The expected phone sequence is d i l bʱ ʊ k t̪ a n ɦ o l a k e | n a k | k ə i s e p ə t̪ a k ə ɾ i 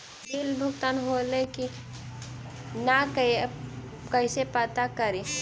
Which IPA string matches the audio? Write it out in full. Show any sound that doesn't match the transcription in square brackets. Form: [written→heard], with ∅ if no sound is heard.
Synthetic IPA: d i l bʱ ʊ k t̪ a n ɦ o l [a→e] k [e→i] | n a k | k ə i s e p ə t̪ a k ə ɾ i